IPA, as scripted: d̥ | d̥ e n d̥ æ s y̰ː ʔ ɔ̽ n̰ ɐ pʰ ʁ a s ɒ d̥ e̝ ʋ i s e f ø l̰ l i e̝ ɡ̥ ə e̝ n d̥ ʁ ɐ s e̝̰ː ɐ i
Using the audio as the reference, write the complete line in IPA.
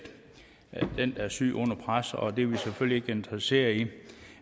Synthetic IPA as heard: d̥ | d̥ e n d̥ æ s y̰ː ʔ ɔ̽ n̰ ɐ pʰ ʁ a s ɒ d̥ e̝ ʋ i s e f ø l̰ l i e̝ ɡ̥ ə e̝ n d̥ ʁ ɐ s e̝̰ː ɐ i